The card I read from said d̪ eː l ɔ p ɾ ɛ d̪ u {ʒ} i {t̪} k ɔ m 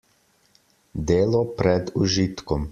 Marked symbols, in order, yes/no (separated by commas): yes, yes